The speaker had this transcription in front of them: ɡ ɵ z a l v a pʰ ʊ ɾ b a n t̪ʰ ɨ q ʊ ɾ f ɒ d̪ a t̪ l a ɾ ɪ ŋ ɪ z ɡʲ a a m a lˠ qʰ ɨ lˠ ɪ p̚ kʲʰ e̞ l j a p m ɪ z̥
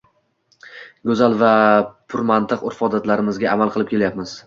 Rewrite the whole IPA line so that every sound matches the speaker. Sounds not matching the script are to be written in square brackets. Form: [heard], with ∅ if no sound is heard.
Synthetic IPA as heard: ɡ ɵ z a l v a pʰ ʊ ɾ [m] a n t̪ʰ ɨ q ʊ ɾ f ɒ d̪ a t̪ l a ɾ ɪ [m] ɪ z ɡʲ a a m a lˠ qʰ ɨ lˠ ɪ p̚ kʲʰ e̞ l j a p m ɪ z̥